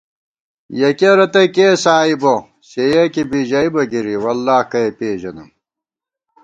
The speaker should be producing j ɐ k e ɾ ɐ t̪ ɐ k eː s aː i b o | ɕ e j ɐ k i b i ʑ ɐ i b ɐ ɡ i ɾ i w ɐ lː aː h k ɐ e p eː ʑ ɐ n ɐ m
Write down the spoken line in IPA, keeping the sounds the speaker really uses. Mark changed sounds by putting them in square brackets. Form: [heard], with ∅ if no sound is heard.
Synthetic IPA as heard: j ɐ k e ɾ ɐ t̪ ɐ k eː s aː i b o | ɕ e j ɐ k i b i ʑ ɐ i b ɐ ɡ i ɾ i w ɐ lː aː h k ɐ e p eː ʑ ɐ n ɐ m